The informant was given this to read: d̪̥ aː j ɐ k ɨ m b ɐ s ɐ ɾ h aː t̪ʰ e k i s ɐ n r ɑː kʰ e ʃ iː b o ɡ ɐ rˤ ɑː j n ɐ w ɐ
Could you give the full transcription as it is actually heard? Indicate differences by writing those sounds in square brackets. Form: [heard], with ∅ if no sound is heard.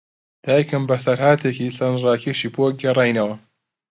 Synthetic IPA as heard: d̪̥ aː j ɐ k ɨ m b ɐ s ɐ ɾ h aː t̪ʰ e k i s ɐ n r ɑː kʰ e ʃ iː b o ɡ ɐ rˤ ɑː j n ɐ w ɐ